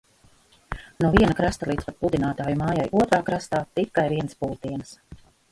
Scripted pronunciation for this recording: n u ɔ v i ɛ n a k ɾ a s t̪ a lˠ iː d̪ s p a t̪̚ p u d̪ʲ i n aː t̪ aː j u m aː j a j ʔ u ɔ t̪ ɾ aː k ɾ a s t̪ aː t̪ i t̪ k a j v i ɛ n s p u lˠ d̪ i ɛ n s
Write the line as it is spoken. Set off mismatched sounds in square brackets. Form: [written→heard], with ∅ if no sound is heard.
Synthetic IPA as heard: n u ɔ v i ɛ n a k ɾ a s t̪ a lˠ iː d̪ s p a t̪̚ p u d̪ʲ i n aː t̪ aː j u m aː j a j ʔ u ɔ t̪ ɾ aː k ɾ a s t̪ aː t̪ i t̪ k a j v i ɛ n s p u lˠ [d̪→t̪] i ɛ n s